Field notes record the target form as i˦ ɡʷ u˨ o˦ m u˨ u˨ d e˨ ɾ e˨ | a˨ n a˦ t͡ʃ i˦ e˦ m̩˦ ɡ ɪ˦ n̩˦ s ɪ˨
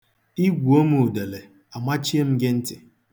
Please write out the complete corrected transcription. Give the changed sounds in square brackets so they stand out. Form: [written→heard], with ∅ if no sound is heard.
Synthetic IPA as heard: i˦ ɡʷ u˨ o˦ m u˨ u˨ d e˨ [ɾ→l] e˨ | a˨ [n→m] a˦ t͡ʃ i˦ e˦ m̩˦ ɡ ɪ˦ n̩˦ [s→t] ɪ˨